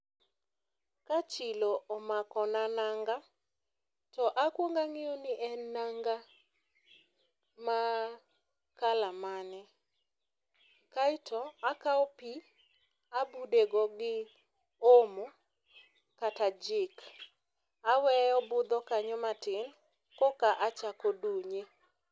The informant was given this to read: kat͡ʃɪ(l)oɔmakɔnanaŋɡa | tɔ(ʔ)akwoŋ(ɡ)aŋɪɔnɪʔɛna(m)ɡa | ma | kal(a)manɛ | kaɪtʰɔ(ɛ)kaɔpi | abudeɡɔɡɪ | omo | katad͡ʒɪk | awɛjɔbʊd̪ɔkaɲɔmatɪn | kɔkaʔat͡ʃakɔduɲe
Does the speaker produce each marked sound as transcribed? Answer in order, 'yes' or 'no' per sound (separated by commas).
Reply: yes, yes, yes, no, yes, no